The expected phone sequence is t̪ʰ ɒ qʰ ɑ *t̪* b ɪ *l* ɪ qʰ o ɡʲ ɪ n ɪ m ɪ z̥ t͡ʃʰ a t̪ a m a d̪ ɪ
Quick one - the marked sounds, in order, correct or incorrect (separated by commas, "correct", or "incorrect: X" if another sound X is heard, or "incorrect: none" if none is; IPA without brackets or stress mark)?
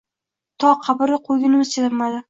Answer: incorrect: none, incorrect: ɾ